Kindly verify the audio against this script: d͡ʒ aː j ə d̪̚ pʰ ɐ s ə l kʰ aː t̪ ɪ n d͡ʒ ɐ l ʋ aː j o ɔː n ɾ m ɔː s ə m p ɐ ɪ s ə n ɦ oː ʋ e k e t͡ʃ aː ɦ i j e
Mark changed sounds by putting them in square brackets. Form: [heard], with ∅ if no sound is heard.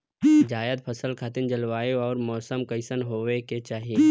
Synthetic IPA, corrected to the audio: d͡ʒ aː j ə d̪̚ pʰ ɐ s ə l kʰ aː t̪ ɪ n d͡ʒ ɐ l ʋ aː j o ɔː [∅] ɾ m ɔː s ə m [k] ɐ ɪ s ə n ɦ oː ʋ e k e t͡ʃ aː ɦ i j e